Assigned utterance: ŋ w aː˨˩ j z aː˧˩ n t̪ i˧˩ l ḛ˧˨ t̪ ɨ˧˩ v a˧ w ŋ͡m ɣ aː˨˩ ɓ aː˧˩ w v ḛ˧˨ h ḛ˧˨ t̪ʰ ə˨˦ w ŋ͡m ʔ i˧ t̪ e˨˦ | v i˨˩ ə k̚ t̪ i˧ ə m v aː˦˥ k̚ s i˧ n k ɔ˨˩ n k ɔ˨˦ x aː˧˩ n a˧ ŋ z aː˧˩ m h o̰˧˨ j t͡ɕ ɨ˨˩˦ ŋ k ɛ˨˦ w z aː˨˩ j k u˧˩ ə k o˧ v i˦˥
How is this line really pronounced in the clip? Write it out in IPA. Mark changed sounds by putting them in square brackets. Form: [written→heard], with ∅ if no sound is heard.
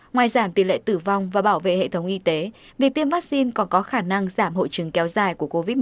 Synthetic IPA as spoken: ŋ w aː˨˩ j z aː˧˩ [n→m] t̪ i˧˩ l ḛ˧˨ t̪ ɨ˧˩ v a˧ w ŋ͡m [ɣ→v] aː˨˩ ɓ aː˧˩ w v ḛ˧˨ h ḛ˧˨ t̪ʰ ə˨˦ w ŋ͡m ʔ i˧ t̪ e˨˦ | v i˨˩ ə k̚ t̪ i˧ ə m v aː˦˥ k̚ s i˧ n k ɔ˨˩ n k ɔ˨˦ x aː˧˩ n a˧ ŋ z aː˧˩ m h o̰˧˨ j t͡ɕ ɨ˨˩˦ ŋ k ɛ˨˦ w z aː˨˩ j k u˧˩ ə k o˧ v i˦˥